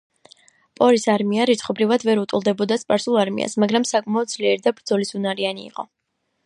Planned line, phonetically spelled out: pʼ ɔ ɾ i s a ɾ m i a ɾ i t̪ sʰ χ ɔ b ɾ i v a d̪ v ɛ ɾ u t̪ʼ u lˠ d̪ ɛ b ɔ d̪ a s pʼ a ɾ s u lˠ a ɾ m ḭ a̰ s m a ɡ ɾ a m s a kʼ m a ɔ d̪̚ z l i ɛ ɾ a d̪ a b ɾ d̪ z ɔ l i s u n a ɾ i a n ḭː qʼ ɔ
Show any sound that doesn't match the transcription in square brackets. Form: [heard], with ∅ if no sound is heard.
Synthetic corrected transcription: pʼ ɔ ɾ i s a ɾ m i a ɾ i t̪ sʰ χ ɔ b ɾ i v a d̪ v ɛ ɾ u t̪ʼ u lˠ d̪ ɛ b ɔ d̪ a s pʼ a ɾ s u lˠ a ɾ m ḭ a̰ s m a ɡ ɾ a m s a kʼ m a ɔ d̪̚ z l i ɛ ɾ [i] d̪ a b ɾ d̪ z ɔ l i s u n a ɾ i a n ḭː qʼ ɔ

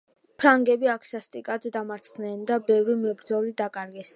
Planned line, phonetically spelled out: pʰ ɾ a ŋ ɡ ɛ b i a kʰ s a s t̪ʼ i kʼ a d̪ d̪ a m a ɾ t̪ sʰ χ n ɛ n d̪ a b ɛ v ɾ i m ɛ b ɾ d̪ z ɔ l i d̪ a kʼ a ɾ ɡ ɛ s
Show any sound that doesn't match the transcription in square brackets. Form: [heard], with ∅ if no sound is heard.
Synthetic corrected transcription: pʰ ɾ a ŋ ɡ ɛ b i a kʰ s a s t̪ʼ i kʼ a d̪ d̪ a m a ɾ t̪ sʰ χ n ɛ n d̪ a b ɛ v ɾ i m ɛ b ɾ d̪ z ɔ l i d̪ a kʼ a ɾ ɡ ɛ s

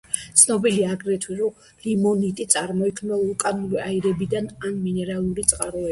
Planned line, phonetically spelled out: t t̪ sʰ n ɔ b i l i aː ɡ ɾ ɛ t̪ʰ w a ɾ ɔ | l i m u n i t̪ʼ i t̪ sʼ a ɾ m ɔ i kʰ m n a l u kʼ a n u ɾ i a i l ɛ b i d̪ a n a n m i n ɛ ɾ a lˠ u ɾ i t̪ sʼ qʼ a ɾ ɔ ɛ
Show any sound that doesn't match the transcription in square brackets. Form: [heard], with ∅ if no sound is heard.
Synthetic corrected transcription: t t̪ sʰ n ɔ b i l i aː ɡ ɾ ɛ t̪ʰ w [i] ɾ ɔ | l i m [ɔ] n i t̪ʼ i t̪ sʼ a ɾ m ɔ i kʰ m n a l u kʼ a n u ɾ i a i [ɾ] ɛ b i d̪ a n a n m i n ɛ ɾ a lˠ u ɾ i t̪ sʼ qʼ a ɾ ɔ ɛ

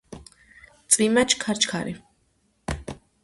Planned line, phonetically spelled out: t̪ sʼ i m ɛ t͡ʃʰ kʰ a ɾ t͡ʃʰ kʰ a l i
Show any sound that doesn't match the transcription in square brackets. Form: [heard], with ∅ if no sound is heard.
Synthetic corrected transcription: t̪ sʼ i m [a] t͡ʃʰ kʰ a ɾ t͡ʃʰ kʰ a [ɾ] i

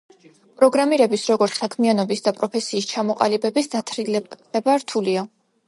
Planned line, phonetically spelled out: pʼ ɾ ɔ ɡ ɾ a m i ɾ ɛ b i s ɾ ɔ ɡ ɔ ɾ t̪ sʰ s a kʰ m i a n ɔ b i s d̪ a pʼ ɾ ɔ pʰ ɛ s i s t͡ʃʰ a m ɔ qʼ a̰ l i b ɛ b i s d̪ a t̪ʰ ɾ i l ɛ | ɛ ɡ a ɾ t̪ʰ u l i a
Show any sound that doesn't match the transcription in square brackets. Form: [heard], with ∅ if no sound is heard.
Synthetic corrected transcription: pʼ ɾ ɔ ɡ ɾ a m i ɾ ɛ b i s ɾ ɔ ɡ ɔ ɾ t̪ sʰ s a kʰ m i a n ɔ b i s d̪ a pʼ ɾ ɔ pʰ ɛ s [iː] s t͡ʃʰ a m ɔ qʼ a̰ l i b ɛ b i s d̪ a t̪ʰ ɾ i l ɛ | ɛ [b] a ɾ t̪ʰ u l i a

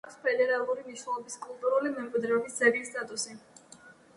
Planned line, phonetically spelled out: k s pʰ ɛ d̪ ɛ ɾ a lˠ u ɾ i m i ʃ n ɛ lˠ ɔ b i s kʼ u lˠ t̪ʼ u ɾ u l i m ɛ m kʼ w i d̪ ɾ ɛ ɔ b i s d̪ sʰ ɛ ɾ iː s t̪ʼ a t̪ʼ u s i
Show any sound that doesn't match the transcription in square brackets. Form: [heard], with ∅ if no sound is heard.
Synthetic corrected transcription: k s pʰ ɛ d̪ ɛ ɾ a lˠ u ɾ i m i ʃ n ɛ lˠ ɔ b i s kʼ u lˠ t̪ʼ u ɾ u l i m ɛ m kʼ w i d̪ ɾ ɛ ɔ b i s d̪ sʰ ɛ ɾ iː s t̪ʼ a t̪ʼ u s i

